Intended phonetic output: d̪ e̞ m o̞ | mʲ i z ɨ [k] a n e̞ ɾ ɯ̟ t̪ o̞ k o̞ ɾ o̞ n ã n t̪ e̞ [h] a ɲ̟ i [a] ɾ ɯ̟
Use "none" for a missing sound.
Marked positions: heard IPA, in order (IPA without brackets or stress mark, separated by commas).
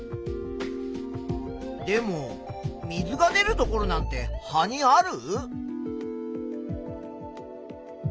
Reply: ɡ, h, a